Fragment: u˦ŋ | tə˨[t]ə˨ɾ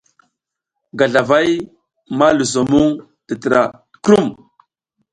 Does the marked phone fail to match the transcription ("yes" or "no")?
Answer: no